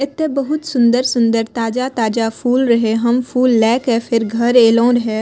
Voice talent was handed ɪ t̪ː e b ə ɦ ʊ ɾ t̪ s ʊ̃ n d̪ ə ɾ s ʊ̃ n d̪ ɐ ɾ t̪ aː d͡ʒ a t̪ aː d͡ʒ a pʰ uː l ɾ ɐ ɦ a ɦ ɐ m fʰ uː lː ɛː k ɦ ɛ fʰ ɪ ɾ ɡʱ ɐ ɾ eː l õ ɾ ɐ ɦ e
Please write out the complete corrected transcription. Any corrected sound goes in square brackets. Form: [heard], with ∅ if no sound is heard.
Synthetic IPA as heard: ɪ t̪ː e b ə ɦ ʊ [∅] t̪ s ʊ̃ n d̪ ə ɾ s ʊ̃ n d̪ [ə] ɾ t̪ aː d͡ʒ a t̪ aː d͡ʒ a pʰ uː l ɾ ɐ ɦ [e] ɦ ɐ m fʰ uː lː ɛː k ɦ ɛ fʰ ɪ ɾ ɡʱ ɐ ɾ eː l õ ɾ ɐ ɦ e